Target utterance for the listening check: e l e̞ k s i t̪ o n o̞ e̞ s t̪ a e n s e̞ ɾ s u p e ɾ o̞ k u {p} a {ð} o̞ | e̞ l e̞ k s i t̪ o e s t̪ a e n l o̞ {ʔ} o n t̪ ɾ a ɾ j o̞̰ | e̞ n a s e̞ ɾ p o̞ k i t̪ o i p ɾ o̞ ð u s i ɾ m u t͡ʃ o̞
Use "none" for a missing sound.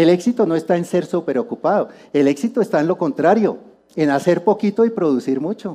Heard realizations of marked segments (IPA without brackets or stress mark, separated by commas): p, ð, k